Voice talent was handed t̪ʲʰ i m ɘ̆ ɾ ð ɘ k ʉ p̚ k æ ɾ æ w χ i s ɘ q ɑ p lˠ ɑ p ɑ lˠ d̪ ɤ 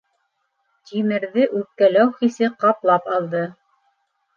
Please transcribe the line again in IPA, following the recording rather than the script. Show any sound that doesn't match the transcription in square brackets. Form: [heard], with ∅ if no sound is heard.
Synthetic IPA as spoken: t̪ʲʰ i m ɘ̆ ɾ ð ɘ [ʔ] ʉ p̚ k æ [l] æ w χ i s ɘ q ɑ p lˠ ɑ p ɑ lˠ d̪ ɤ